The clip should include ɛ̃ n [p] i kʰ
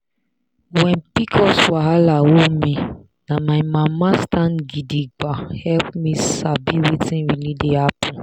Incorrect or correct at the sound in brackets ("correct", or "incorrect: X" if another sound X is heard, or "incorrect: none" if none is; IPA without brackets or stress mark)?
correct